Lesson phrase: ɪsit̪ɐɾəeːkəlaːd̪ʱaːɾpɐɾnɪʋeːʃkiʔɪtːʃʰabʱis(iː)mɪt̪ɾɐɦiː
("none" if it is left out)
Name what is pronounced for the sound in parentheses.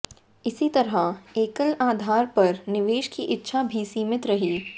iː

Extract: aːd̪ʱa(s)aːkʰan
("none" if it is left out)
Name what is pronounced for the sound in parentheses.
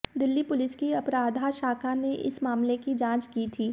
ʃ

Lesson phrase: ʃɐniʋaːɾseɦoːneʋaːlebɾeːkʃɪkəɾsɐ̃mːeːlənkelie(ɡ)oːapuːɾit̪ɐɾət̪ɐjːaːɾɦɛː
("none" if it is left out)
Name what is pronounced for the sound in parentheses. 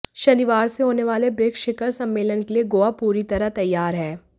ɡ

